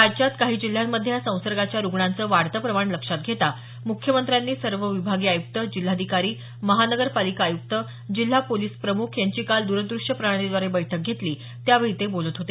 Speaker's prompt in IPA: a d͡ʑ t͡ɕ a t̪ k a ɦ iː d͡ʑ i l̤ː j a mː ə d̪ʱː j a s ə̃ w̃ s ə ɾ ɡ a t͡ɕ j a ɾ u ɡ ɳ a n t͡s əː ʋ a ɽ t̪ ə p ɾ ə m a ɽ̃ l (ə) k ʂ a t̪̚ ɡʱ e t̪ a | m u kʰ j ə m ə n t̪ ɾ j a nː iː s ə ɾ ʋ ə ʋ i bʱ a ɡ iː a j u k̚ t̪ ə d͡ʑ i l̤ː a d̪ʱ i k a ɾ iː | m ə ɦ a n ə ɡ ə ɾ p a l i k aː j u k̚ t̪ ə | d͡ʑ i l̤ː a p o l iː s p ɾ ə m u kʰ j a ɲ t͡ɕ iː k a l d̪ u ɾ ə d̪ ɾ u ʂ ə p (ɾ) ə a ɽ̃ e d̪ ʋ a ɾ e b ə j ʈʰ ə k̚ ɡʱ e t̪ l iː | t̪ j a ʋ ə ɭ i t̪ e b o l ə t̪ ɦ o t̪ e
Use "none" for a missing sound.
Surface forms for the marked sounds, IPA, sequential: ə, ɾ

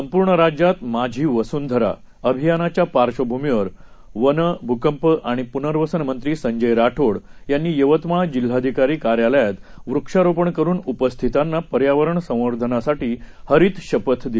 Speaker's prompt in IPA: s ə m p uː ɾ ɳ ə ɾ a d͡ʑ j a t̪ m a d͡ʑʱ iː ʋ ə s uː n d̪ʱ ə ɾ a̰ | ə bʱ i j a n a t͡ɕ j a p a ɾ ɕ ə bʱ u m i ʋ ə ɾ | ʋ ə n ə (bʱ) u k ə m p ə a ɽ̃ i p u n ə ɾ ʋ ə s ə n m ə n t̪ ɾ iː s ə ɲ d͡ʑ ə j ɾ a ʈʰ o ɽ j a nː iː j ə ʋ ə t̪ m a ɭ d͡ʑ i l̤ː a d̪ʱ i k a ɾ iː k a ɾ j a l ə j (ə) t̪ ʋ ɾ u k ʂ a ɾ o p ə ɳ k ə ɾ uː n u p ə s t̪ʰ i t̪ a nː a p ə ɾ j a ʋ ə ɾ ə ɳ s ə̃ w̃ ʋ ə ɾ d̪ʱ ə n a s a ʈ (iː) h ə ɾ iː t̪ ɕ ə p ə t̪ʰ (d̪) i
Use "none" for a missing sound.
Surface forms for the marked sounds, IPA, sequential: bʱ, a, iː, d̪

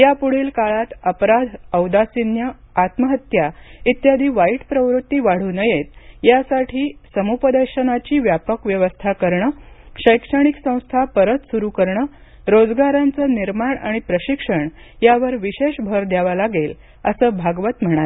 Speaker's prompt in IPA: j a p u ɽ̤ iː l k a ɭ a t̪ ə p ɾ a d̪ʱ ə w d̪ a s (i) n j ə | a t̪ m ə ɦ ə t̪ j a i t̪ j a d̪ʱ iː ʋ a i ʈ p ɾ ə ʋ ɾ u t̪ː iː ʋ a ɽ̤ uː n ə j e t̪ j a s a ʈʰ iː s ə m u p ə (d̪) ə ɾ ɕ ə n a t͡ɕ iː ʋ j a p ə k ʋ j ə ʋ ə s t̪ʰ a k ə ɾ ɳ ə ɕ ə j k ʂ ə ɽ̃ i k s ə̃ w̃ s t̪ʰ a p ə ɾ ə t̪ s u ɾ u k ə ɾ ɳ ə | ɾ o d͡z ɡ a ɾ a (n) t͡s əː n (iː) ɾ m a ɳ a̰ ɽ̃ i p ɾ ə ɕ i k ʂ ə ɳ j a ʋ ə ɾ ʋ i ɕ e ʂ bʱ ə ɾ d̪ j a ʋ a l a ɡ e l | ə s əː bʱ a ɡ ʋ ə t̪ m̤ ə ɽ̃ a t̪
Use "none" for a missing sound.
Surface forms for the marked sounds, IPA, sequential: i, d̪, n, i

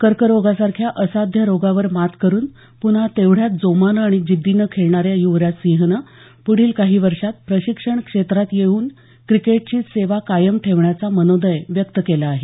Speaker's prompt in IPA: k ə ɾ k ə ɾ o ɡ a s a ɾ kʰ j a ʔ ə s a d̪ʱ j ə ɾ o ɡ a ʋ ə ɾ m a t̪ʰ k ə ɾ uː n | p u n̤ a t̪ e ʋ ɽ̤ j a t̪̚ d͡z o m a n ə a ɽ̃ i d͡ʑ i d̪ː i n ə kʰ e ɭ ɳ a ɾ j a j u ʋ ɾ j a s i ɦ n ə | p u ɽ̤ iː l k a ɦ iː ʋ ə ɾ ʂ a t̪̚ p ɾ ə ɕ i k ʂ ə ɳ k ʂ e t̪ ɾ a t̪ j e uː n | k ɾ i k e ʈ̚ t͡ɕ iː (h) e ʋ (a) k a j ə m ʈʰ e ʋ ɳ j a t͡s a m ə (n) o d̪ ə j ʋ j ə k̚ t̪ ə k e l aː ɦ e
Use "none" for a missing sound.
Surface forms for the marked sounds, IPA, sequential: s, a, n

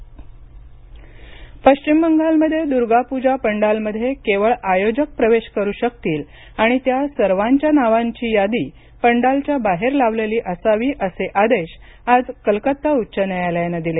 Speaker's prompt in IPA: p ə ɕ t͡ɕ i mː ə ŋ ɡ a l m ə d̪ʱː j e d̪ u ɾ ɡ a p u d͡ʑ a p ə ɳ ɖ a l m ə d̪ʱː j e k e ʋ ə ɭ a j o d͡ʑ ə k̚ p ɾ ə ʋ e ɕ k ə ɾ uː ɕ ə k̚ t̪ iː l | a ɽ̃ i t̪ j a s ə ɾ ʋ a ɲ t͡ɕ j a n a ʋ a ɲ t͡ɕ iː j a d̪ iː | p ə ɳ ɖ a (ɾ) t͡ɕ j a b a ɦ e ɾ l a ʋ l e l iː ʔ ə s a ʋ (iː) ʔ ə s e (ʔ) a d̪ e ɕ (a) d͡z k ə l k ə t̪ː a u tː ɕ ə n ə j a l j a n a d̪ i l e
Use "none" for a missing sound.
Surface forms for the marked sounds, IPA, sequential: l, iː, ʔ, a

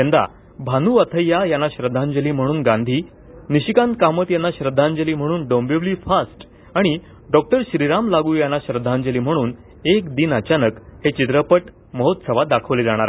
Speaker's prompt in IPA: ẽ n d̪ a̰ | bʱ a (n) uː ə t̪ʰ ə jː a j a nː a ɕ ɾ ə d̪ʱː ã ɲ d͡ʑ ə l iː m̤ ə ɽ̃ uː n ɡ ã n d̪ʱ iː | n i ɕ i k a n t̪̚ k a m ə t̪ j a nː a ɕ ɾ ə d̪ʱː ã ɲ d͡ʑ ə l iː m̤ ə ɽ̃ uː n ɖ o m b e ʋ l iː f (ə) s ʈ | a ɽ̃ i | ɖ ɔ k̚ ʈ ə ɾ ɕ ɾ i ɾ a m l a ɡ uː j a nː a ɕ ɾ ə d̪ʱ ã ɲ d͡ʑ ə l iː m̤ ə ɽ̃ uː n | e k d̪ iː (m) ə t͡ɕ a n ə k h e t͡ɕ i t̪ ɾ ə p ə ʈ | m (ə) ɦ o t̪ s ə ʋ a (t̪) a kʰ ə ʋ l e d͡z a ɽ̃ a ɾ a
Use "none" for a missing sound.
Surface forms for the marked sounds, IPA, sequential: n, a, n, ə, d̪

